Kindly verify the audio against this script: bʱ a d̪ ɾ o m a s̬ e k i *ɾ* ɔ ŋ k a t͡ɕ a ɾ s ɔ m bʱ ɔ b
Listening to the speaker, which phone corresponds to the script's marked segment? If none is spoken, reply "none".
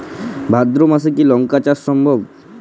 l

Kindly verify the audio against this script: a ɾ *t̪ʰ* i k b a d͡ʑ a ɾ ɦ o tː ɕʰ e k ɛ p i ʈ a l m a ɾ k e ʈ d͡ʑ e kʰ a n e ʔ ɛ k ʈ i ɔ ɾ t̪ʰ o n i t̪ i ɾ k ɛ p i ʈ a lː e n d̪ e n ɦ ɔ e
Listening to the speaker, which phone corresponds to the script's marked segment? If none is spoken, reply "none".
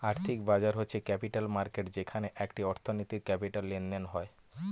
t̪ʰ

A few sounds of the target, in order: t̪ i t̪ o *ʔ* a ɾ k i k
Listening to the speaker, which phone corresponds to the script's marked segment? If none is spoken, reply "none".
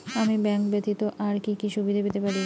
ʔ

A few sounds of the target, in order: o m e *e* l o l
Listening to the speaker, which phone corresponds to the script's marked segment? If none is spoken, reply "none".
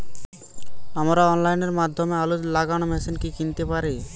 a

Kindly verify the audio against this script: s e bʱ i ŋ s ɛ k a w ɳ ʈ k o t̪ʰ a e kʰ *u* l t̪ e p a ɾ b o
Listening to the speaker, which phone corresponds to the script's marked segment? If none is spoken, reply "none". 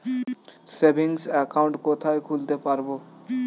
u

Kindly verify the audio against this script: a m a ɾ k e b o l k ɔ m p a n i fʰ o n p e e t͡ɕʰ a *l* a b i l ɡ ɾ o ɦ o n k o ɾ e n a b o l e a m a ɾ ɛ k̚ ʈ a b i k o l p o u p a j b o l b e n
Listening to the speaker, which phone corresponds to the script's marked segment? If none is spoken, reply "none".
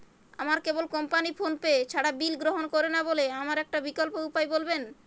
ɽ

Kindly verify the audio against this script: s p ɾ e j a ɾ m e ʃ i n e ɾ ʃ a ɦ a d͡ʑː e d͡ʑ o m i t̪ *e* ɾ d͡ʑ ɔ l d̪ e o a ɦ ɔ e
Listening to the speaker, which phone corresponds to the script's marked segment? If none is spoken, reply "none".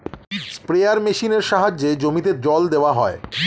e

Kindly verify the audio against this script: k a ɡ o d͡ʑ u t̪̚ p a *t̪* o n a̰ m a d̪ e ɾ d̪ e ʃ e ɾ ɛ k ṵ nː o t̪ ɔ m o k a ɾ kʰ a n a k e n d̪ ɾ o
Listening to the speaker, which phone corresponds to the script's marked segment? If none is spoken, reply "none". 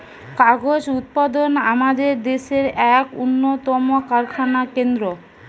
d̪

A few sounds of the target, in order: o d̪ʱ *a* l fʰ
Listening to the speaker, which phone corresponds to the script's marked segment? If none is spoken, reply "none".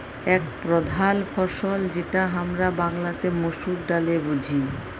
a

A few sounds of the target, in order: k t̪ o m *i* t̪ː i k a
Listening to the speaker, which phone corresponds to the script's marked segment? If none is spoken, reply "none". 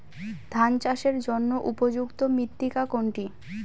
i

